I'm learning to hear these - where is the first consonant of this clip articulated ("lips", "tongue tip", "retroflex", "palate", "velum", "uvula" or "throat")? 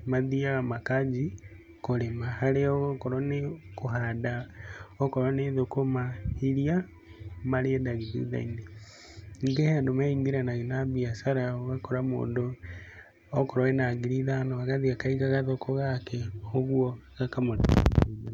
lips